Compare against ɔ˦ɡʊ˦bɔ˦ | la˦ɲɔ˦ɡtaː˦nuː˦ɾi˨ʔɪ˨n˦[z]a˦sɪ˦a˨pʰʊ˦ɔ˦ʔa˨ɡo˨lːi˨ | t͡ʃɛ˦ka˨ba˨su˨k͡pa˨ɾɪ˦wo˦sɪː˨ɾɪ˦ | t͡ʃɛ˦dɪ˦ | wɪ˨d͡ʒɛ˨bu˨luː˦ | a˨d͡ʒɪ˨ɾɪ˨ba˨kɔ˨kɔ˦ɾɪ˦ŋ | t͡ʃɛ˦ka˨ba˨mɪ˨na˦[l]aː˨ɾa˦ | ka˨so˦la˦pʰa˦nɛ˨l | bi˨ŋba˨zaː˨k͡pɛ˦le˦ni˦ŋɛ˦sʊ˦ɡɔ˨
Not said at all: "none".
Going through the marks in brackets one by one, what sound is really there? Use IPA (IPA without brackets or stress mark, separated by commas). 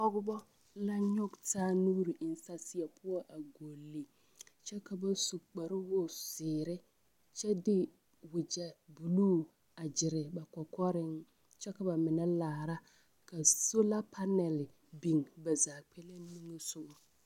s, l